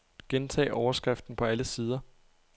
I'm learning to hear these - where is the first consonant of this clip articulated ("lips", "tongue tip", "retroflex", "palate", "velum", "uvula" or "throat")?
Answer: velum